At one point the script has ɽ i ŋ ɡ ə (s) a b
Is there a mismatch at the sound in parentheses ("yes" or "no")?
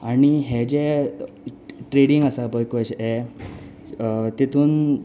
no